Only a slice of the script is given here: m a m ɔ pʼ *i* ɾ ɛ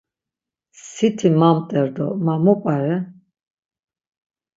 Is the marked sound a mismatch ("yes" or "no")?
yes